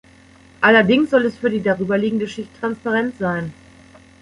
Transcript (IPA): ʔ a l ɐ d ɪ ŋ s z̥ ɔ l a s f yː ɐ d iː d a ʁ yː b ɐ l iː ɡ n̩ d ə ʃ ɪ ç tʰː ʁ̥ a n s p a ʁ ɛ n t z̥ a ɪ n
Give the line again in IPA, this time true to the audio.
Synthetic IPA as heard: ʔ a l ɐ d ɪ ŋ s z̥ ɔ l ɛ s f yː ɐ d iː d a ʁ yː b ɐ l iː ɡ ŋ̩ d ə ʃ ɪ ç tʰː ʁ̥ a n s p a ʁ ɛ n t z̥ a ɪ n